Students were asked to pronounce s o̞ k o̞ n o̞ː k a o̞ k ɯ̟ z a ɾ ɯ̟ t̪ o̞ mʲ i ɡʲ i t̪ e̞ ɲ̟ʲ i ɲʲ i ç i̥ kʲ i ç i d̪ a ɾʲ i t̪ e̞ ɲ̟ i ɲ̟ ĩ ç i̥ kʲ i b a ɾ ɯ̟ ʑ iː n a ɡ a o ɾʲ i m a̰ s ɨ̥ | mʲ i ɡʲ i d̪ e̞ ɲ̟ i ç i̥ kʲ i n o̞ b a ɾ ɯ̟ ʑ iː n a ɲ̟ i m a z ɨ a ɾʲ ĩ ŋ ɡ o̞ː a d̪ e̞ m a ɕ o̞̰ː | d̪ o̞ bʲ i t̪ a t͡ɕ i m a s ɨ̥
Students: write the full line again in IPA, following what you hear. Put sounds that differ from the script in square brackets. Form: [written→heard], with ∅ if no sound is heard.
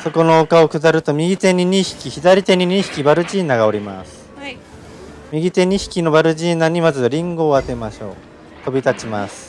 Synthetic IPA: s o̞ k o̞ n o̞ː k a o̞ k ɯ̟ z a ɾ ɯ̟ t̪ o̞ mʲ i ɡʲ i t̪ e̞ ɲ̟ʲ i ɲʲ i ç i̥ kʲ i ç i d̪ a ɾʲ i t̪ e̞ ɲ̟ i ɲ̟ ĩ ç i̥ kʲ i b a ɾ ɯ̟ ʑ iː n a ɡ a o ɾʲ i m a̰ s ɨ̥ | mʲ i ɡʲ i [d̪→t̪] e̞ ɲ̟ i ç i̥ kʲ i n o̞ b a ɾ ɯ̟ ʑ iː n a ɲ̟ i m a z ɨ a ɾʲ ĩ ŋ ɡ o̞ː a [d̪→t̪] e̞ m a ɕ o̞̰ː | [d̪→t̪] o̞ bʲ i t̪ a t͡ɕ i m a s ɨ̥